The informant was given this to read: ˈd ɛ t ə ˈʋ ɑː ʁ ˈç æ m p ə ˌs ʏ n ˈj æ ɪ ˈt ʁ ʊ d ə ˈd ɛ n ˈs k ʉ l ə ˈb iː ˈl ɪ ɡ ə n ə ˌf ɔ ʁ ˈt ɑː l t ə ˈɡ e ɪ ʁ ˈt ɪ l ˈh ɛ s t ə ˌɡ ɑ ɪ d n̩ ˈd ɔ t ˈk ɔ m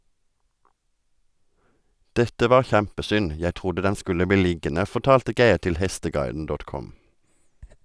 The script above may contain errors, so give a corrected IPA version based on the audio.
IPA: ˈd ɛ t ə ˈʋ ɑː ʁ ˈç æ m p ə ˌs ʏ n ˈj æ ɪ ˈt ʁ ʊ d ə ˈd ɛ n ˈs k ʉ l ə ˈb iː ˈl ɪ ɡ ə n ə ˌf ɔ ʁ ˈt ɑː l t ə ˈɡ e ɪ ʁ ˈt ɪ l ˈh ɛ s t ə ˌɡ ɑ ɪ d n̩ ˈd ɔ t ˈk ɔ m